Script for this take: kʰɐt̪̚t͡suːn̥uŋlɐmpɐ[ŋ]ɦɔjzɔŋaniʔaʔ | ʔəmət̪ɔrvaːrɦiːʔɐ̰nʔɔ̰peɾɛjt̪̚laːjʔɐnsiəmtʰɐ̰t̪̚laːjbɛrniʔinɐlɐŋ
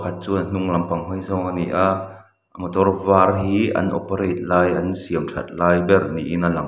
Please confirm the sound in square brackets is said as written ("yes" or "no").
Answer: yes